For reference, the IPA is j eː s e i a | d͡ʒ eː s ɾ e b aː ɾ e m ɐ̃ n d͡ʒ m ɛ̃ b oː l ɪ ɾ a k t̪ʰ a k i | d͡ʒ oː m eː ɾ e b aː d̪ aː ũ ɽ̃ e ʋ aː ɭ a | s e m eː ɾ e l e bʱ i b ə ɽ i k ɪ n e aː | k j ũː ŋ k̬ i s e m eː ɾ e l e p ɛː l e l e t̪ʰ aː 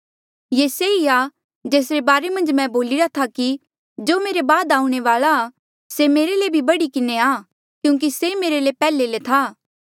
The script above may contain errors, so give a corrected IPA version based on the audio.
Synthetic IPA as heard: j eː s e i a | d͡ʒ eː s ɾ e b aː ɾ e m ɐ̃ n d͡ʒ m ɛ̃ b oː l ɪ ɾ a t̪ʰ a k i | d͡ʒ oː m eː ɾ e b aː d̪ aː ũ ɽ̃ e ʋ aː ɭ a | s e m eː ɾ e l e bʱ i b ɐ ɽ i k ɪ n e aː | k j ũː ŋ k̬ i s e m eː ɾ e l e p ɛː l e l e t̪ʰ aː